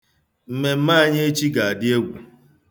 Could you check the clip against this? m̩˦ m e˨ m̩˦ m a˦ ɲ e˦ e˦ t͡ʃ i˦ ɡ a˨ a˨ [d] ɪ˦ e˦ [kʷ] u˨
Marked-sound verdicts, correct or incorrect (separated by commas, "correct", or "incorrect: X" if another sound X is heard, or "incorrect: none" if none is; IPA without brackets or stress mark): correct, incorrect: ɡʷ